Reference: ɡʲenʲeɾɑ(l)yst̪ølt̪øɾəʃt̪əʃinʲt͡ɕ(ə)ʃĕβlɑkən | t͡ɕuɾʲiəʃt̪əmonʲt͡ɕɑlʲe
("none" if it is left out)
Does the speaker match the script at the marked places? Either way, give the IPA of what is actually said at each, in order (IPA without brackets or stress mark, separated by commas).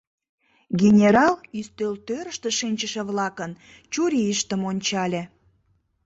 l, ə